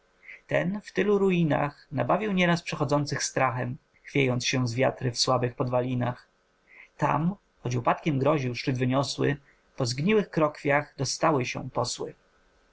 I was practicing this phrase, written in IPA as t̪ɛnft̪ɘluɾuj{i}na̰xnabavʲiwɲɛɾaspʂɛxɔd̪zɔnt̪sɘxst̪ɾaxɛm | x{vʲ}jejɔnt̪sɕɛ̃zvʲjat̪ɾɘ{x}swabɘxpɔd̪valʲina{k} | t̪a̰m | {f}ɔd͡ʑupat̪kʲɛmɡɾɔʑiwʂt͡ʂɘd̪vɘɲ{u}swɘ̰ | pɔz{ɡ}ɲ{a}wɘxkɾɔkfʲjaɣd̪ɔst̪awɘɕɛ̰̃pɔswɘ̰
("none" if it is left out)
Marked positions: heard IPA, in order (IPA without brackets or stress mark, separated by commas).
i, fʲ, f, x, x, ɔ, ɡ, i